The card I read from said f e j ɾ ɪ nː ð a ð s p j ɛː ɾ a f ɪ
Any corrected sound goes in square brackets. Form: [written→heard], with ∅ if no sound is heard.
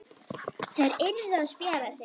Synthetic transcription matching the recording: [f→θ] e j ɾ ɪ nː ð a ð s p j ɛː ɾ a [f→s] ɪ